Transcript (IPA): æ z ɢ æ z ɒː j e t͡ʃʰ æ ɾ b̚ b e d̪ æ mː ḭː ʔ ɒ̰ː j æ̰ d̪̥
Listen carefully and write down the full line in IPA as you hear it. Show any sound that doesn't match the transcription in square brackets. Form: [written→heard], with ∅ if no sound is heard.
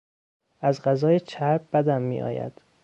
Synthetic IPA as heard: æ z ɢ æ z ɒː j e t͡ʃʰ æ ɾ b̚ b [e→æ] d̪ æ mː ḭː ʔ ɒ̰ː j æ̰ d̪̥

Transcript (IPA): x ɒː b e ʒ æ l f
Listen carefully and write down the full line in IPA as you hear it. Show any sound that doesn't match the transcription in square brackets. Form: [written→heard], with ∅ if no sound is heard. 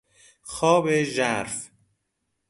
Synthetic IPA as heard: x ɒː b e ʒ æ [l→ɾ] f

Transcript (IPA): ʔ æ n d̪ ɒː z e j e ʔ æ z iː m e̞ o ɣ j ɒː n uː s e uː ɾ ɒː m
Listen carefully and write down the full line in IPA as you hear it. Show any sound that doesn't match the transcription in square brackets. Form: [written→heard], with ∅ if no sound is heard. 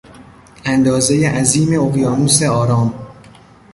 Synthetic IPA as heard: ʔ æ n d̪ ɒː z e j e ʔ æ z iː m e̞ o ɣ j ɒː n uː s e [uː→ɒː] ɾ ɒː m

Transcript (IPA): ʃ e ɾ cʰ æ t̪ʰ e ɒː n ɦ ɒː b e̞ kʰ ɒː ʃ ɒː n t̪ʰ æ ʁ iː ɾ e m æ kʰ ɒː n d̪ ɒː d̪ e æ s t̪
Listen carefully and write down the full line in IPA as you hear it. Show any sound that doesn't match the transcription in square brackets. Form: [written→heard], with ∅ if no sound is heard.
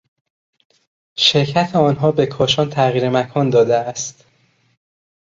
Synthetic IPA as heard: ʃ e ɾ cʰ æ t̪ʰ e ɒː n ɦ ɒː b e̞ kʰ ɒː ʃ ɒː n t̪ʰ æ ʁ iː ɾ e m æ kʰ ɒː n d̪ ɒː d̪ e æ s t̪

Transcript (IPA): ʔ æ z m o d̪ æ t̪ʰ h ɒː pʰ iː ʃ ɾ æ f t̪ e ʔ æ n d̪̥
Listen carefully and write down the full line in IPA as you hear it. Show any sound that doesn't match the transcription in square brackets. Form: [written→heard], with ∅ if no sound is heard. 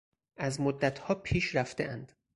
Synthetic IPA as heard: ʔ æ z m o [d̪→d̪ː] æ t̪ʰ h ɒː pʰ iː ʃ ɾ æ f t̪ e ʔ æ n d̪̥

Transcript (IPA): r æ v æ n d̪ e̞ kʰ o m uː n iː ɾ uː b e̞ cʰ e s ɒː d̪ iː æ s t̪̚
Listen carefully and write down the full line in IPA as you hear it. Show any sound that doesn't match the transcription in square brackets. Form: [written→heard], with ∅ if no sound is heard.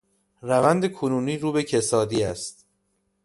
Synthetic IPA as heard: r æ v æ n d̪ e̞ kʰ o [m→n] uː n iː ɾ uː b e̞ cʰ e s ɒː d̪ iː æ s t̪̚

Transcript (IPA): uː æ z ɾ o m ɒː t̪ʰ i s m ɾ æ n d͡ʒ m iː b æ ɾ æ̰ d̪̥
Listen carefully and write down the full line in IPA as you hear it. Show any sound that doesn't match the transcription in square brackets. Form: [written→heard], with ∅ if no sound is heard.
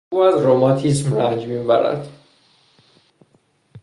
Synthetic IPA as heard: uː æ z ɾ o m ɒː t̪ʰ i s m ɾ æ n d͡ʒ m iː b æ ɾ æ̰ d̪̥

